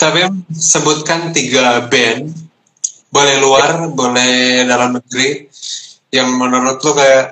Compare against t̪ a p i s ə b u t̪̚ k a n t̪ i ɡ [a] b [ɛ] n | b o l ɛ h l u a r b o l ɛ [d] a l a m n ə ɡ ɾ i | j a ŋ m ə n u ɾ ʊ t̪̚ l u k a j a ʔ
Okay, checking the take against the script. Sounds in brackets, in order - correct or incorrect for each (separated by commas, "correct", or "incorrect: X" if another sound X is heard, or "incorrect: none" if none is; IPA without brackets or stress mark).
correct, correct, correct